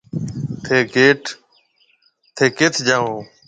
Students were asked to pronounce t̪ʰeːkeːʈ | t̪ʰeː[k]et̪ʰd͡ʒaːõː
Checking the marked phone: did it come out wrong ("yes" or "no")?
no